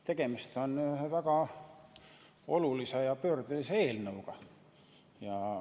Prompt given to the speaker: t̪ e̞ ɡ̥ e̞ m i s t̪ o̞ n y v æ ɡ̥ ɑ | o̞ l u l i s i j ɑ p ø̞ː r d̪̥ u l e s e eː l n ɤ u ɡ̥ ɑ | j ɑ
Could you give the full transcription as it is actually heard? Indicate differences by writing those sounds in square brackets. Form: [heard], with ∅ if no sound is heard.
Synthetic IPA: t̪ e̞ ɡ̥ e̞ m i s t̪ o̞ n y v æ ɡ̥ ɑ | o̞ l u l i s [e] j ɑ p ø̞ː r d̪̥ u l [i] s e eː l n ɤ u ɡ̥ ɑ | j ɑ